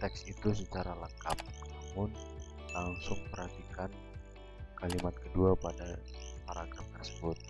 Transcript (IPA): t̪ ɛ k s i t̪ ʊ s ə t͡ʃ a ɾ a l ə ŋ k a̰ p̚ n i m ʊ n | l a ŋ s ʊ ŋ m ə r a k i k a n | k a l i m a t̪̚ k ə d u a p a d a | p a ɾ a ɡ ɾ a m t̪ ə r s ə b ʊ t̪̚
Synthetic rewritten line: t̪ ɛ k s i t̪ u s ə t͡ʃ a ɾ a l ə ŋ k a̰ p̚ n a m ʊ n | l a ŋ s ʊ ŋ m ə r a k i k a n | k a l i m a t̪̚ k ə d u a p a d a | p a ɾ a ɡ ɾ a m t̪ ə r s ə b ʊ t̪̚